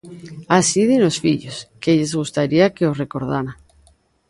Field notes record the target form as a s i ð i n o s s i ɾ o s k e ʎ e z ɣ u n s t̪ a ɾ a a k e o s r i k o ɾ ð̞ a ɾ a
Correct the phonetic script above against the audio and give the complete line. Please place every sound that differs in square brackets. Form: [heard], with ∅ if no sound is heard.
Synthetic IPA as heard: a s i ð i n o s [f] i [ʎ] o s k e ʎ e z ɣ u [∅] s t̪ a ɾ [i] a k e o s r [e] k o ɾ ð̞ a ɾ a

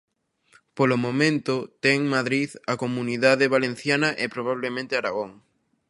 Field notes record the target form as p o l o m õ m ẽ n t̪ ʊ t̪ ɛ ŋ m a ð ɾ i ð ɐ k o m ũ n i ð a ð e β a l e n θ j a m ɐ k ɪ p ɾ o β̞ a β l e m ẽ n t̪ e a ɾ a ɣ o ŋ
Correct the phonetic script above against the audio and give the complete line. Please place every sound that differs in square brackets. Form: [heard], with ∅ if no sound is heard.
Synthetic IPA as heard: p o l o m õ m ẽ n t̪ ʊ t̪ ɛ ŋ m a ð ɾ i ð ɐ k o m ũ n i ð a ð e β a l e n θ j a [n] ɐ [ʔ] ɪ p ɾ o β̞ a β l e m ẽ n t̪ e a ɾ a ɣ o ŋ

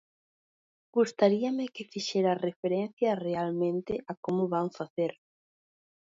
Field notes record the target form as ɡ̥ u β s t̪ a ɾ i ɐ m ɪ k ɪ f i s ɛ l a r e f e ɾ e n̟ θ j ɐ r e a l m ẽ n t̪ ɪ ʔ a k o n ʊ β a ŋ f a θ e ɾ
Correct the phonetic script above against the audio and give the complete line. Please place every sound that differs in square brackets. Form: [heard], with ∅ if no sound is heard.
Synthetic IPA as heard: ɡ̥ u [∅] s t̪ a ɾ i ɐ m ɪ k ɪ f i [ʃ] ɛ [ɾ] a r e f e ɾ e n̟ θ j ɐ r e a l m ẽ n t̪ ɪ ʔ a k o [m] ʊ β a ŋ f a θ e ɾ

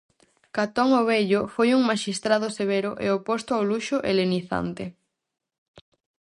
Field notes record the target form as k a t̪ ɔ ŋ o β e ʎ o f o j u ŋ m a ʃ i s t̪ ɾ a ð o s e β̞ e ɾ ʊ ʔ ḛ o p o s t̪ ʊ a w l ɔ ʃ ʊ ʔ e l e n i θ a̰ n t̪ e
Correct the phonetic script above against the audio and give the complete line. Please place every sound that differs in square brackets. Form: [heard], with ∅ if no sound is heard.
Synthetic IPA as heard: k a t̪ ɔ ŋ o β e ʎ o f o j u ŋ m a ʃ i s t̪ ɾ a ð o s e β̞ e ɾ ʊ ʔ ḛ o p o s t̪ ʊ a w l [u] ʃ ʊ ʔ e l e n i θ a̰ n t̪ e

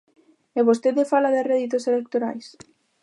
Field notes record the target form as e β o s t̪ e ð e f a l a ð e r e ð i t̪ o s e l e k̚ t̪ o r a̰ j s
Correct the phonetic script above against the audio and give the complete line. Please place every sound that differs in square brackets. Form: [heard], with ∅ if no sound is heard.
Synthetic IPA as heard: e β o s t̪ e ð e f a l a ð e r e ð i t̪ o s e l e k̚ t̪ o [ɾ] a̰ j s

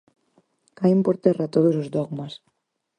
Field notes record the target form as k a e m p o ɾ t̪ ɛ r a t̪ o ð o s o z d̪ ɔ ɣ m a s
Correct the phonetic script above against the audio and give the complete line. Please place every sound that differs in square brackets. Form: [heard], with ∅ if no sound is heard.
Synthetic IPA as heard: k a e m p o ɾ t̪ ɛ r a t̪ o ð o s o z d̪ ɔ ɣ m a s

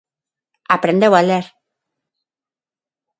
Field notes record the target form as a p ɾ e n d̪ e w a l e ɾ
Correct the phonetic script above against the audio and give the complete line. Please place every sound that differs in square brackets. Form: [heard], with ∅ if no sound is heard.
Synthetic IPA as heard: a p ɾ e n d̪ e w a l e ɾ

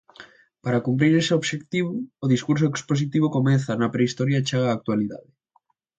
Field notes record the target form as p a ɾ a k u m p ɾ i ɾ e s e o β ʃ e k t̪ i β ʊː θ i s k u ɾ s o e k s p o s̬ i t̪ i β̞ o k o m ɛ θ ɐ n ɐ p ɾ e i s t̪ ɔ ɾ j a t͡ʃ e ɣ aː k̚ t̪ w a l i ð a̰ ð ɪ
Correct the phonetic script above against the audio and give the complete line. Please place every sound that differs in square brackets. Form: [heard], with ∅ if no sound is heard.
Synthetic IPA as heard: p a ɾ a k u m p ɾ i ɾ e s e o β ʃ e k t̪ i β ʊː [ð] i s k u ɾ s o e k s p o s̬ i t̪ i β̞ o k o m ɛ θ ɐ n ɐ p ɾ e i s t̪ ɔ ɾ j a t͡ʃ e ɣ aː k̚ t̪ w a l i ð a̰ ð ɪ

